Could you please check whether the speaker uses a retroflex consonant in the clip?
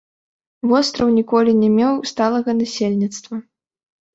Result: no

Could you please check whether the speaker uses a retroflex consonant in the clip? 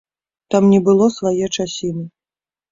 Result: yes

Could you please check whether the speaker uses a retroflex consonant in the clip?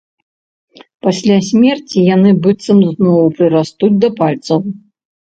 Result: no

